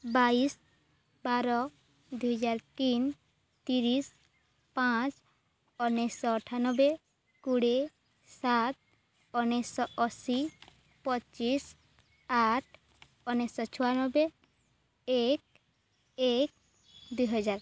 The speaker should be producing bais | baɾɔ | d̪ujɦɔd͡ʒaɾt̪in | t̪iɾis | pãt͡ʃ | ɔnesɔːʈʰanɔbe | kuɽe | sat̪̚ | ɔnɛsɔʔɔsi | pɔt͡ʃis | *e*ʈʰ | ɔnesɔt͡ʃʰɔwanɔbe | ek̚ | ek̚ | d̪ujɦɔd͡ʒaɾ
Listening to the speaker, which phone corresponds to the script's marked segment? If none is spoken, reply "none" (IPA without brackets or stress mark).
a